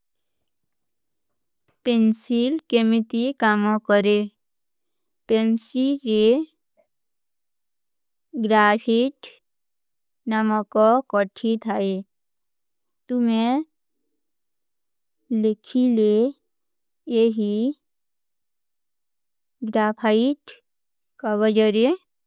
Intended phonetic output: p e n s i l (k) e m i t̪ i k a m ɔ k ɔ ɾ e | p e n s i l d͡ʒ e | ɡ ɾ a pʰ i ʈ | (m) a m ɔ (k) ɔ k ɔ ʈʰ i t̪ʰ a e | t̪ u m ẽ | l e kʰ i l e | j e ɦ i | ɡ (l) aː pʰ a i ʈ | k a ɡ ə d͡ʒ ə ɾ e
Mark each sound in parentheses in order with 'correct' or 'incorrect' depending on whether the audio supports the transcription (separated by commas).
correct, incorrect, correct, incorrect